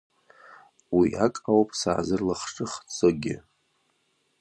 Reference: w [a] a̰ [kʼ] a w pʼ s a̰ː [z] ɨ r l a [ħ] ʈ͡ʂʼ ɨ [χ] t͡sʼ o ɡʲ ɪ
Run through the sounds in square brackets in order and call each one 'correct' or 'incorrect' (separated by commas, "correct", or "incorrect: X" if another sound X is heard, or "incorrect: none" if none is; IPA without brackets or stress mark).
incorrect: i, correct, correct, incorrect: χ, correct